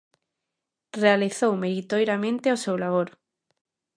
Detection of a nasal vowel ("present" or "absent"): present